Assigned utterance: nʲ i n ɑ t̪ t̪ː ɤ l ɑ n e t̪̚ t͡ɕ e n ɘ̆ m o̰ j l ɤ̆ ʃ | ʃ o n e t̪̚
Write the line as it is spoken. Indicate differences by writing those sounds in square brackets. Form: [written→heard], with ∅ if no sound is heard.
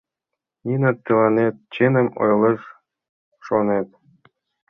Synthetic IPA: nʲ i n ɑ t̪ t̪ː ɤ l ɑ n e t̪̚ t͡ɕ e n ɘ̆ m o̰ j l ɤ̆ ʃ | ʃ o n e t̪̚